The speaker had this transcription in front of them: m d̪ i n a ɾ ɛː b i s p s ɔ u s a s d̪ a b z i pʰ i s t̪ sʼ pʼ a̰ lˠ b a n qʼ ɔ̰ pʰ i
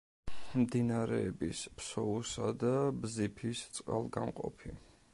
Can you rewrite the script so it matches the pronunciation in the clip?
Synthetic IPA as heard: m d̪ i n a ɾ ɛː b i s p s ɔ u s a d̪ a b z i pʰ i s t̪ sʼ qʼ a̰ lˠ ɡ a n qʼ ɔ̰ pʰ i